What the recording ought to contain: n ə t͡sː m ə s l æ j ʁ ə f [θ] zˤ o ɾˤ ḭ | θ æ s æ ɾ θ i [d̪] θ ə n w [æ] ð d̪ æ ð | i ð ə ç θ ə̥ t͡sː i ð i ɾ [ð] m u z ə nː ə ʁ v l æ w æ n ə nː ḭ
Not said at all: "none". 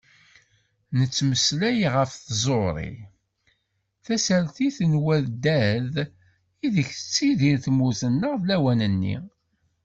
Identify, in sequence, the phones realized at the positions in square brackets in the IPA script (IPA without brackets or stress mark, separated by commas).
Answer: θ, none, æ, θ